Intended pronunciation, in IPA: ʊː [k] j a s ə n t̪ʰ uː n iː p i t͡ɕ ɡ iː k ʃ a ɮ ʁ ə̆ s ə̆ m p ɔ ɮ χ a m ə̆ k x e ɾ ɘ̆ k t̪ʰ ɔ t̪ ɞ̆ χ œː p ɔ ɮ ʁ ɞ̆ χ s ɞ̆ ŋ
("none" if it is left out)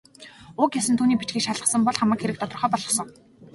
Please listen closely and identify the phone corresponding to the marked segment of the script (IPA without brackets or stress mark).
k